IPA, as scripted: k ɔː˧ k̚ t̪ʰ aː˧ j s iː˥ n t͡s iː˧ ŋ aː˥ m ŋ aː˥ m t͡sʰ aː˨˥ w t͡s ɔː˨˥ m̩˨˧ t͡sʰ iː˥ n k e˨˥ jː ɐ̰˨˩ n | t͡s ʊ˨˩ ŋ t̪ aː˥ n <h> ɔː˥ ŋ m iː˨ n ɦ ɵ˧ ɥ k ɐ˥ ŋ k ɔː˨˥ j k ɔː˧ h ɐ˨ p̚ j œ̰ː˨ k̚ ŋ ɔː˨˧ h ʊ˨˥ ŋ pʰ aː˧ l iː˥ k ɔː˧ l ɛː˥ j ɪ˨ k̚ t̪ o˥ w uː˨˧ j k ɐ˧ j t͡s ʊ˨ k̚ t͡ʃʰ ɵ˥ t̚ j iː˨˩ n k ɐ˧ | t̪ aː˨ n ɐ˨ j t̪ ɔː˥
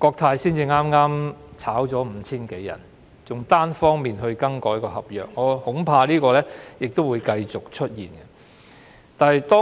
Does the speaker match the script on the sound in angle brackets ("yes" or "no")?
no